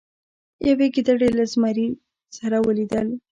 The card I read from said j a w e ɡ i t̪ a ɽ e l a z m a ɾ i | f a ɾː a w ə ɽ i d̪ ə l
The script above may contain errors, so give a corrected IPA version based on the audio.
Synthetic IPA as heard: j a w e ɡ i d̪ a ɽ e l a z m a ɾ i | s a ɾ a w ə l i d̪ ə l